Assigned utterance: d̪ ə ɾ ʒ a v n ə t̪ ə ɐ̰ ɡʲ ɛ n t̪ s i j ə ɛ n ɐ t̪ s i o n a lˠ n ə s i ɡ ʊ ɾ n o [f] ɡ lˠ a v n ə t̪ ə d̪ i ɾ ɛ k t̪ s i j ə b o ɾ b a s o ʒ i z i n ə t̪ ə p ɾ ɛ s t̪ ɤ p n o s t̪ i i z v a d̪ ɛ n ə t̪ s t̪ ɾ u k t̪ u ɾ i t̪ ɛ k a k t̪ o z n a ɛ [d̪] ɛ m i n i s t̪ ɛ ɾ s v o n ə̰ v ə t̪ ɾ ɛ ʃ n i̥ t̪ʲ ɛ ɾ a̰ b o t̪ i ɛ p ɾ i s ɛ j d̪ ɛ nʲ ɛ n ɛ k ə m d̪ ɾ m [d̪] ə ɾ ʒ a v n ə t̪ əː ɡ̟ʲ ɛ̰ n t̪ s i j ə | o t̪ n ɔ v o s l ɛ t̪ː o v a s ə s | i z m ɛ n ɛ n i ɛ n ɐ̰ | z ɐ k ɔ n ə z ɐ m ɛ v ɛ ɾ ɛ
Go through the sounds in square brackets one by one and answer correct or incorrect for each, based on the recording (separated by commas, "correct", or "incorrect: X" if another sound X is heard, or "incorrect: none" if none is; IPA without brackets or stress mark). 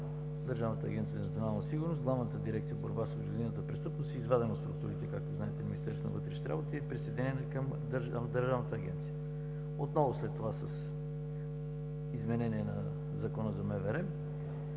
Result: incorrect: s, incorrect: t̪, correct